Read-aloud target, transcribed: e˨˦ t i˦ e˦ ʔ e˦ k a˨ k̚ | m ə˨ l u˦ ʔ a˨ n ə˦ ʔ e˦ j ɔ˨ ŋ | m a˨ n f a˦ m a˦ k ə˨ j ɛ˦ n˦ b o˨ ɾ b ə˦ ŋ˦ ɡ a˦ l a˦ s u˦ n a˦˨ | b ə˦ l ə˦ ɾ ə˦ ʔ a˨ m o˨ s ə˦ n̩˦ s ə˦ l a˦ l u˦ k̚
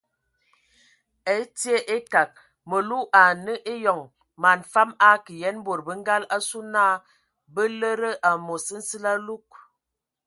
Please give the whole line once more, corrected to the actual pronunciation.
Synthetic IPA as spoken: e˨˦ t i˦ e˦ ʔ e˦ k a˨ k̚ | m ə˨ l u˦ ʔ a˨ n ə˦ ʔ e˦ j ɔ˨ ŋ | m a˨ n f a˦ m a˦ k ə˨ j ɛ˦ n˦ b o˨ ɾ b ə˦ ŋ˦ ɡ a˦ l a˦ s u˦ n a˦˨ | b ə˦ l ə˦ ɾ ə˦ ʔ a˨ m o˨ s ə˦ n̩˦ s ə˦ l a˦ l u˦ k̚